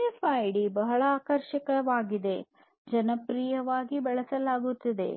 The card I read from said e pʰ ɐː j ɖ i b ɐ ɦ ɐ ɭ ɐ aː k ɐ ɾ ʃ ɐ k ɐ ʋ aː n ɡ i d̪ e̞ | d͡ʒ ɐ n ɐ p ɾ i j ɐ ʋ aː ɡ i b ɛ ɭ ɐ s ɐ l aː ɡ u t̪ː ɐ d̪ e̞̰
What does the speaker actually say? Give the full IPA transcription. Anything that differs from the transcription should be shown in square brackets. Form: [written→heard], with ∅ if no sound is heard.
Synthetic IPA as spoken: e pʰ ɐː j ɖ i b ɐ ɦ ɐ ɭ ɐ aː k ɐ ɾ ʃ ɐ k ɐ ʋ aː [n→∅] ɡ i d̪ e̞ | d͡ʒ ɐ n ɐ p ɾ i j ɐ ʋ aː ɡ i b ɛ ɭ ɐ s ɐ l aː ɡ u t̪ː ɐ d̪ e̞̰